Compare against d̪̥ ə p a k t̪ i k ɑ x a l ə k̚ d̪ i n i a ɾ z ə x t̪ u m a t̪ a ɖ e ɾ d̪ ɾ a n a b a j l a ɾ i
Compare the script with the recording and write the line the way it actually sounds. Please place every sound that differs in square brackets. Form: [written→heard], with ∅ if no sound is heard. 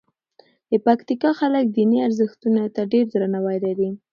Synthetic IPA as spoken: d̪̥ ə p a k t̪ i k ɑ x a l ə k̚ d̪ i n i a ɾ z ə x t̪ u [m→n] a t̪ a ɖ e ɾ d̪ ɾ a n a [b→w] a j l a ɾ i